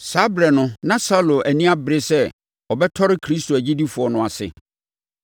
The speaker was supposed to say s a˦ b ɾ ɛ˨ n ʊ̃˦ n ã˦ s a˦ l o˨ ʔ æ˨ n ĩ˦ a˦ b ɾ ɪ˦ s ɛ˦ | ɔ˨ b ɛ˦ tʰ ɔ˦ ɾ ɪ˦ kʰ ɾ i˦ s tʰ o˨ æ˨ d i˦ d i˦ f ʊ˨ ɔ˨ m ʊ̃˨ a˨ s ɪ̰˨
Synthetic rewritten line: s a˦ b ɾ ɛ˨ n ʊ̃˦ n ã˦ s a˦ l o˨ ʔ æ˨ n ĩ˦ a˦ b ɾ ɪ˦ s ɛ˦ | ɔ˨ b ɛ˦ tʰ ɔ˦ ɾ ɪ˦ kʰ ɾ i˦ s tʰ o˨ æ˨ d͡ʑ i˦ d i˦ f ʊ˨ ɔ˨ n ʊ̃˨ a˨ s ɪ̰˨